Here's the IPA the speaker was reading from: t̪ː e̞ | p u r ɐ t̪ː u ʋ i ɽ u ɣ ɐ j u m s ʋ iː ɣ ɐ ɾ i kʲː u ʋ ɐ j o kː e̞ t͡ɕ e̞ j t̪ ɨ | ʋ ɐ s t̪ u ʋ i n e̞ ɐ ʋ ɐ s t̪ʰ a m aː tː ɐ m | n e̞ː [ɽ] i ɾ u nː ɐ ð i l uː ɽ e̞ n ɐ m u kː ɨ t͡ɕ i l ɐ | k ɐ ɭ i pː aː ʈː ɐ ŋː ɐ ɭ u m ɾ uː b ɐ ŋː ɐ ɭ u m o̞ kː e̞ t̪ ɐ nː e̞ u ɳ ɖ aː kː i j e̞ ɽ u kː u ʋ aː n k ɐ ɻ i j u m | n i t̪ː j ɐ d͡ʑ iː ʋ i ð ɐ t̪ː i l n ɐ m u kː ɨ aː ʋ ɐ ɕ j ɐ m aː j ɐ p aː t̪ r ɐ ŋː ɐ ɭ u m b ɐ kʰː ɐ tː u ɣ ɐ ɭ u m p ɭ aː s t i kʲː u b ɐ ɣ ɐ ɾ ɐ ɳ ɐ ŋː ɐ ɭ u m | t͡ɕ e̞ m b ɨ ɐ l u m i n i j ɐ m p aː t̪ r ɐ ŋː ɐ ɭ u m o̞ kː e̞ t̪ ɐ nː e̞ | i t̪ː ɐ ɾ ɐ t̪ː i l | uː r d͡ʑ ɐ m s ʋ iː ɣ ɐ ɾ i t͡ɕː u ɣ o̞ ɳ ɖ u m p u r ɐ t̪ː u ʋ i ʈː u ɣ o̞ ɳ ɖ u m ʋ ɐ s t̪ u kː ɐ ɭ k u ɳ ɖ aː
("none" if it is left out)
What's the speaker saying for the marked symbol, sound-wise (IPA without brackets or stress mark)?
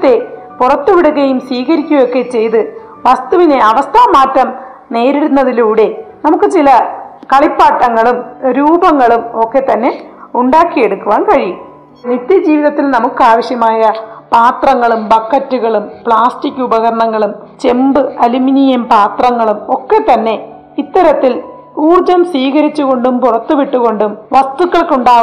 ɾ